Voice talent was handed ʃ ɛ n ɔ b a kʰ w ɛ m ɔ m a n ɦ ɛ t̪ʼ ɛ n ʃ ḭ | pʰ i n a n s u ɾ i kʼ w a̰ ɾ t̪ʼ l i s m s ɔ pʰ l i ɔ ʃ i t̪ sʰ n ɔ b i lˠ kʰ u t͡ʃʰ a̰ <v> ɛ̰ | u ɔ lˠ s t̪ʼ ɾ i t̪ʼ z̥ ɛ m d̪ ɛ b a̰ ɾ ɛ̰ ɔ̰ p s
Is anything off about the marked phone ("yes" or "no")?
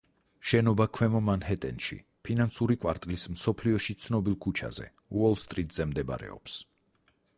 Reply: yes